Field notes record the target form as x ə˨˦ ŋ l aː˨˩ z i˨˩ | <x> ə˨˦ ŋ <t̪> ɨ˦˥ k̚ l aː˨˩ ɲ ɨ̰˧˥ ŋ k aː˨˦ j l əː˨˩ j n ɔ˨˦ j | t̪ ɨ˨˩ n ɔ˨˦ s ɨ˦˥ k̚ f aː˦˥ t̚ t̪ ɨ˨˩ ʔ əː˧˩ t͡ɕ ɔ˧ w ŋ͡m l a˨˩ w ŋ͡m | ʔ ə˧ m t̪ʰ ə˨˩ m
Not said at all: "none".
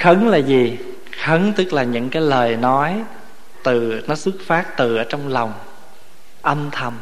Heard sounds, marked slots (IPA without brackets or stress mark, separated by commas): x, t̪